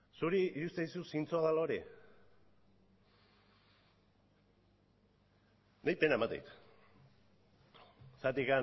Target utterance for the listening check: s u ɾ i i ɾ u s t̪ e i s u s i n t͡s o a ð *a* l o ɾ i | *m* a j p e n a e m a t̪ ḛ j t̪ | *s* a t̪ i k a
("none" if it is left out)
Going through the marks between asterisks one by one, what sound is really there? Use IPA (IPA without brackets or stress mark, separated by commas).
a, n, s